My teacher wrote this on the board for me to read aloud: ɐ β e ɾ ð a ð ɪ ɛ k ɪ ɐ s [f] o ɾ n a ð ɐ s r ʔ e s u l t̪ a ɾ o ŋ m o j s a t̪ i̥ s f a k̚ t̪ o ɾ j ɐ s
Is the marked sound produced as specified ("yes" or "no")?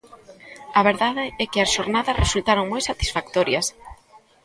no